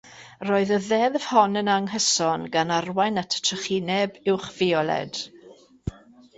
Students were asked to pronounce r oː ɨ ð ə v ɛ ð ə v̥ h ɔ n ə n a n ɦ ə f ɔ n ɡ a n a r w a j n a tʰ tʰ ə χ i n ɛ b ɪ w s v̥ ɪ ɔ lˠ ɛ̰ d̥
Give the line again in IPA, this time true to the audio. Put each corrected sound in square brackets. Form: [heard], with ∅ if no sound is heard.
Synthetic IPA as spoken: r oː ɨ ð ə [ð] ɛ ð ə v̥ h ɔ n ə n a [ŋ] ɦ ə [s] ɔ n ɡ a n a r w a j n a tʰ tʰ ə χ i n ɛ b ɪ w [χ] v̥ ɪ ɔ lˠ ɛ̰ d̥